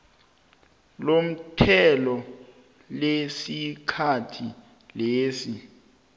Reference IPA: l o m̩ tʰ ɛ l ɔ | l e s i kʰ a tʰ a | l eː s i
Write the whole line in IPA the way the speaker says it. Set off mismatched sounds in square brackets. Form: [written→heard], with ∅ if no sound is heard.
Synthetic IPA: l o m̩ tʰ ɛ l ɔ | l e s i kʰ a tʰ [a→i] | l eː s i